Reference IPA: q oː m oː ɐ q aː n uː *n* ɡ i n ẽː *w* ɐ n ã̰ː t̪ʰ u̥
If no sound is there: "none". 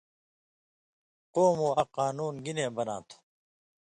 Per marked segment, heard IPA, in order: n, b

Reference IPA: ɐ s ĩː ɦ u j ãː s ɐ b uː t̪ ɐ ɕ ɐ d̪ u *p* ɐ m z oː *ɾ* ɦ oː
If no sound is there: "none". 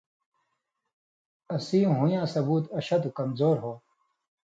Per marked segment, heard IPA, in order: k, ɾ

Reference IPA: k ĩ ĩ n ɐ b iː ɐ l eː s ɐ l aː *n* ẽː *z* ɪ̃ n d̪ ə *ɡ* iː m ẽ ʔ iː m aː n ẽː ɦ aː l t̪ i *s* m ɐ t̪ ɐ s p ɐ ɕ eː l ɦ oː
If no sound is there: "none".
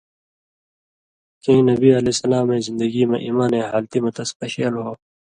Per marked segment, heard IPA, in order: m, z, ɡ, none

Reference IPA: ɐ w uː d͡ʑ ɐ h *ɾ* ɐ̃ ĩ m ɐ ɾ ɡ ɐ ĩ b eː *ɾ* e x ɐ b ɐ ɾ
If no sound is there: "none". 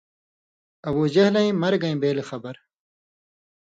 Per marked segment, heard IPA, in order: l, l

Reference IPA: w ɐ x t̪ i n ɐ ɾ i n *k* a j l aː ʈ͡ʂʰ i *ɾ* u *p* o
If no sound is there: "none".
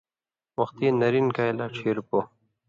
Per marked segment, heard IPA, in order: k, ɾ, p

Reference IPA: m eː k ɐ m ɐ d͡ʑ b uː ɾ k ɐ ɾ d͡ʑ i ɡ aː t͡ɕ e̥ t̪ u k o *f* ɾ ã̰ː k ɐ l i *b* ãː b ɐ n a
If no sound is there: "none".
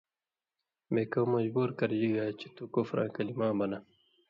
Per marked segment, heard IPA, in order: f, m

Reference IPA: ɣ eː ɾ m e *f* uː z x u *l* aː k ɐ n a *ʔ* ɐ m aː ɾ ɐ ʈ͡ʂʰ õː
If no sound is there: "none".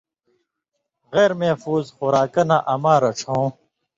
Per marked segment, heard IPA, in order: f, ɾ, ʔ

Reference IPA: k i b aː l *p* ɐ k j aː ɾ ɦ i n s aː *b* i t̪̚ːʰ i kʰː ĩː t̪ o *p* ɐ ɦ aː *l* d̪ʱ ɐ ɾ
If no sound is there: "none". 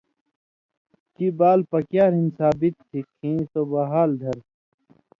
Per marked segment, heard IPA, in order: p, b, b, l

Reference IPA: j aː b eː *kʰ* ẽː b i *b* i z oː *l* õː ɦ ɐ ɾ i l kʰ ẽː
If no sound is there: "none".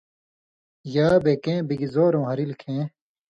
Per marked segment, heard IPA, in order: k, ɡ, ɾ

